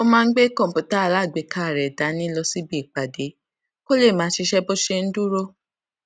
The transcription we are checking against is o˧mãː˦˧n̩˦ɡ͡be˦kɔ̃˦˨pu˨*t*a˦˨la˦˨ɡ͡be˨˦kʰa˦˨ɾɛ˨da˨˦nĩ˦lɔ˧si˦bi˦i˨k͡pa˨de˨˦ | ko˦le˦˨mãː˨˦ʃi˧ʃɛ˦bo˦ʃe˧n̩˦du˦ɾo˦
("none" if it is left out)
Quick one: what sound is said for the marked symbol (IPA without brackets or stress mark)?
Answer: t